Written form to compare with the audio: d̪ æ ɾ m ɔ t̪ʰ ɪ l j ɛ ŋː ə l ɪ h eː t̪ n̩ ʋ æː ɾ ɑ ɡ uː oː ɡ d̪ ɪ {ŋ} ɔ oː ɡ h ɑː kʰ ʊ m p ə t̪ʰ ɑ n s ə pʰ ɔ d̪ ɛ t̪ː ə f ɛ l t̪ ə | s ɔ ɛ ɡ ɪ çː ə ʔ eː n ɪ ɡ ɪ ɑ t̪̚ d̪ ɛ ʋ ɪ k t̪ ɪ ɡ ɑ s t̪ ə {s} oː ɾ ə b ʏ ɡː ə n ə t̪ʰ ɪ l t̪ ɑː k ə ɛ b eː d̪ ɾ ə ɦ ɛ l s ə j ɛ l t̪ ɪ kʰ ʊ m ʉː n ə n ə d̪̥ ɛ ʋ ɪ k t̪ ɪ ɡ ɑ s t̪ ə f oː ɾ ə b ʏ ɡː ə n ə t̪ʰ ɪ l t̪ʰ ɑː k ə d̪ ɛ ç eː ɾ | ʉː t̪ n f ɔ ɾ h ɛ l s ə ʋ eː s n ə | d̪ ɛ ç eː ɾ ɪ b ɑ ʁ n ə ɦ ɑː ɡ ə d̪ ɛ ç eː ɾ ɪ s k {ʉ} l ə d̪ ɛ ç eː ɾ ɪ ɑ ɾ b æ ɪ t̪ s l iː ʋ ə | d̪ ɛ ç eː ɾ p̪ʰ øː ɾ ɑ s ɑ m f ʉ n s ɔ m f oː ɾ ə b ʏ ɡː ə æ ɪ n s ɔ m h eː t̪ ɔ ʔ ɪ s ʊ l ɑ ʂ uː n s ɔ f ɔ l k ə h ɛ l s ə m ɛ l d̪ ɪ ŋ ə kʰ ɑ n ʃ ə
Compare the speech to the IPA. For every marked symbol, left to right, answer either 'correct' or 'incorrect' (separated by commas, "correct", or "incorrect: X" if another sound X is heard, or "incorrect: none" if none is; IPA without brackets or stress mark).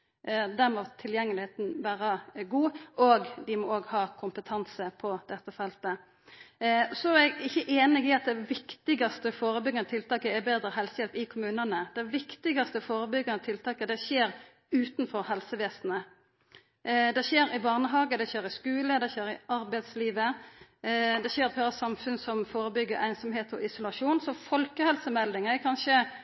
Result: incorrect: m, incorrect: f, incorrect: ʉː